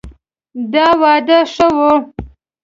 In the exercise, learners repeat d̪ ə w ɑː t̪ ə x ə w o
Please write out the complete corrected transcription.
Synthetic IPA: d̪ ɑ w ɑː d̪ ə ʂ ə w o